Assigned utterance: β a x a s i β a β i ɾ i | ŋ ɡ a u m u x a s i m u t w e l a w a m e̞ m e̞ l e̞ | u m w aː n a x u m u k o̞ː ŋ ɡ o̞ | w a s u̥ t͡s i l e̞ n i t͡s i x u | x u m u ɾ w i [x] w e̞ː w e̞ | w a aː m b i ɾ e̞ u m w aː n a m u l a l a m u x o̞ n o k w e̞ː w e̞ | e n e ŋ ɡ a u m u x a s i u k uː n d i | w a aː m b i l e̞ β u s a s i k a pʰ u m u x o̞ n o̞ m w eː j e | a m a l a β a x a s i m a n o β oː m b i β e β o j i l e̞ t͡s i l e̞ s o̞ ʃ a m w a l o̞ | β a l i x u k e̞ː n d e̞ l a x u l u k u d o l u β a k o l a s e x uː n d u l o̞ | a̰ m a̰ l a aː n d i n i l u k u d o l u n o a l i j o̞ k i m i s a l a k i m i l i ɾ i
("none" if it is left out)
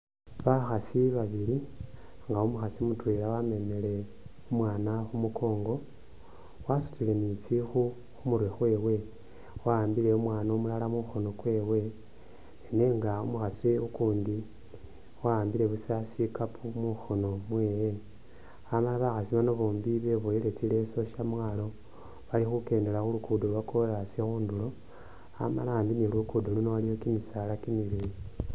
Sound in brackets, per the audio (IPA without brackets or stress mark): x